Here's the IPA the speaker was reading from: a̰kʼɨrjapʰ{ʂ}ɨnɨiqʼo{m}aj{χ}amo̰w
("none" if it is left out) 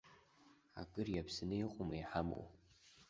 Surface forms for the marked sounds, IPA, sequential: s, m, ħ

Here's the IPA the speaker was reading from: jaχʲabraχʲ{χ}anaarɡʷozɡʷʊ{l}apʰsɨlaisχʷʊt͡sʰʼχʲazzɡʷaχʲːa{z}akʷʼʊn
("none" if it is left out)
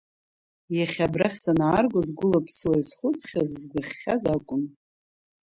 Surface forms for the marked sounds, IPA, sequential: s, l, z

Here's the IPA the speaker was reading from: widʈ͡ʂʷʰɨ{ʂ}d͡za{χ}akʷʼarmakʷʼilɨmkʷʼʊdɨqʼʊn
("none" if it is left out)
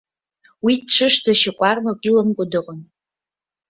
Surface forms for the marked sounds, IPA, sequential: ʂ, ʃ

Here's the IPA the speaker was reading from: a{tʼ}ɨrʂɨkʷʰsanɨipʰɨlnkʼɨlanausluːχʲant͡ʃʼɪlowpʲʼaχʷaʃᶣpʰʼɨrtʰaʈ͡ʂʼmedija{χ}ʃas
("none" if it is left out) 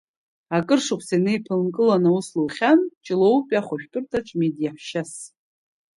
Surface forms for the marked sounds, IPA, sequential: kʼ, ħ

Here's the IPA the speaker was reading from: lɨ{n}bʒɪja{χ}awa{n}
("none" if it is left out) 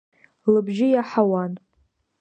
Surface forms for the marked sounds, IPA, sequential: none, ħ, n

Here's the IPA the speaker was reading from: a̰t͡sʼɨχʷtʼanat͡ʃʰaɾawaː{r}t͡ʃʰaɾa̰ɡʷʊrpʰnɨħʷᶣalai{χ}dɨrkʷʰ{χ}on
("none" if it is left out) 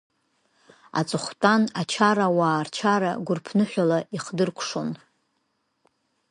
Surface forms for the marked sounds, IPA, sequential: r, χ, ʂ

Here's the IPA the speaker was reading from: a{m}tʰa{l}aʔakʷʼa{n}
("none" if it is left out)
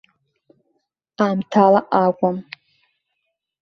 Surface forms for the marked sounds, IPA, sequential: m, l, m

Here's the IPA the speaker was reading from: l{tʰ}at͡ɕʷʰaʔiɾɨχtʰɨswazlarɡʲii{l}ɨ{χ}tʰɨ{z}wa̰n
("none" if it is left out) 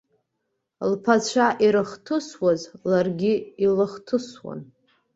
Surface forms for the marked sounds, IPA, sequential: pʰ, l, χ, s

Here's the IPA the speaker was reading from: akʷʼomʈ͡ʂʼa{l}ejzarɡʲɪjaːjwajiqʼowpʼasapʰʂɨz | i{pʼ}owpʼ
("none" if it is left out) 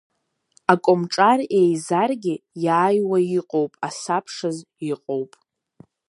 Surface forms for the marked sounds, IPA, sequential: r, qʼ

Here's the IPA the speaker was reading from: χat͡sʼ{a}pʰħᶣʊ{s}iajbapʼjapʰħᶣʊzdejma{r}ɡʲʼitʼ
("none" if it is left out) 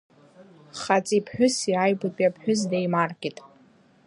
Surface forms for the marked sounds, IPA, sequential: i, s, r

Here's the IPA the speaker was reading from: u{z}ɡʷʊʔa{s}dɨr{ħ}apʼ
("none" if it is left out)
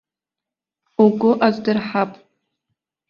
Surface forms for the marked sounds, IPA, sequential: none, z, ħ

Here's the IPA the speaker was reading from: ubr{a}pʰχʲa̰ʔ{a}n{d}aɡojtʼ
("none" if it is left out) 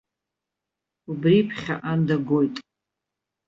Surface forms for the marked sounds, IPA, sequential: i, a, d

